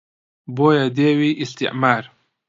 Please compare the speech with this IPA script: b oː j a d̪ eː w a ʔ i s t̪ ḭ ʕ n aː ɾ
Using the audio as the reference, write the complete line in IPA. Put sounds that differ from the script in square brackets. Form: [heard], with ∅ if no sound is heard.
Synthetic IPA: b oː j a d̪ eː w [i] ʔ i s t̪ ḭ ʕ [m] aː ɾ